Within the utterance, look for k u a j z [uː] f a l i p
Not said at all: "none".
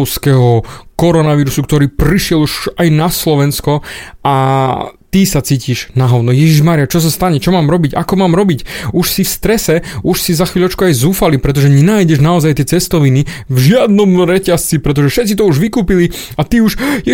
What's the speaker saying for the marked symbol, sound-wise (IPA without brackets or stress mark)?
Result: uː